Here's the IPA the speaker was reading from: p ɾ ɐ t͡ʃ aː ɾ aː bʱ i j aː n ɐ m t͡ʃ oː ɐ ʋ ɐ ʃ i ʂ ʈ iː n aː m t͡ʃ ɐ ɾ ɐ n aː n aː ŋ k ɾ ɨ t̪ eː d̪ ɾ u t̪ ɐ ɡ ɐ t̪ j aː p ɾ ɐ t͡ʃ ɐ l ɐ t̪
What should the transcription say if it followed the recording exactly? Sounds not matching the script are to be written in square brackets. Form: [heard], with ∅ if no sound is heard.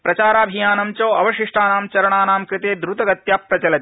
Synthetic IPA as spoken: p ɾ ɐ t͡ʃ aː ɾ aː bʱ i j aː n ɐ m t͡ʃ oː ɐ ʋ ɐ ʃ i ʂ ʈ [aː] n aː m t͡ʃ ɐ ɾ ɐ [ɳ] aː n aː [m] k ɾ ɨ t̪ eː d̪ ɾ u t̪ ɐ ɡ ɐ t̪ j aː p ɾ ɐ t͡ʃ ɐ l ɐ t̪